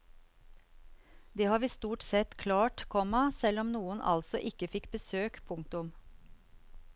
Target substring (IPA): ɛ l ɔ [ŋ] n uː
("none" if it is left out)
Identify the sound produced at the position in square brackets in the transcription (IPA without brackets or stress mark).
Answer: m